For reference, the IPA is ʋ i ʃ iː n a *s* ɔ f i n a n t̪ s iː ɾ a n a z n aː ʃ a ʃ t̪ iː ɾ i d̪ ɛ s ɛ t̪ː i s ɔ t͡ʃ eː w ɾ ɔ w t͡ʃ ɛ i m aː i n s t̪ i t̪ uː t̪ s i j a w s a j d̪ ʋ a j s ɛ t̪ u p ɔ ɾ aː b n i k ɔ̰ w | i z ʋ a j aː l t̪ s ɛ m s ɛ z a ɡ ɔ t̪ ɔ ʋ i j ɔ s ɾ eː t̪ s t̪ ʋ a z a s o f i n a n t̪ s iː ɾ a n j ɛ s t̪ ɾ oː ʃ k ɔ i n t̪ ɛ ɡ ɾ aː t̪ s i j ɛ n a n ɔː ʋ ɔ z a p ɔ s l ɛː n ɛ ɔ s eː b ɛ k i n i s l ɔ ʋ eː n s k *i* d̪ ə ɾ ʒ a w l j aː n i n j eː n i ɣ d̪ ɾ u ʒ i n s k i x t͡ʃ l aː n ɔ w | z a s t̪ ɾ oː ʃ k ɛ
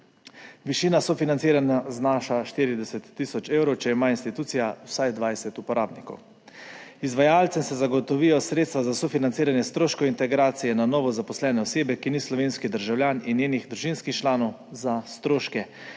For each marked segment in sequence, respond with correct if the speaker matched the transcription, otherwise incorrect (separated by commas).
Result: correct, correct